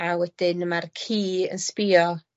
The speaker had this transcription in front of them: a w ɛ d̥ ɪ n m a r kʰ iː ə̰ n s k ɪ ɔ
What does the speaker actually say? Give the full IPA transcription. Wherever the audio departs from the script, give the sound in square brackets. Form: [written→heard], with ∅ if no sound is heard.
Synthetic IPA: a w ɛ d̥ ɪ n m a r kʰ iː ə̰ n s [k→p] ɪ ɔ